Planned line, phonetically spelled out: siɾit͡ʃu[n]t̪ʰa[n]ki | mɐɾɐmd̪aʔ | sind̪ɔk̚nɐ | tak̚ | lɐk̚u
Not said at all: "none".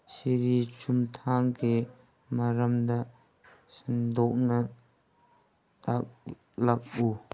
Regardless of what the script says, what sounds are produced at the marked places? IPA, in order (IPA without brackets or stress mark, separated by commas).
m, ŋ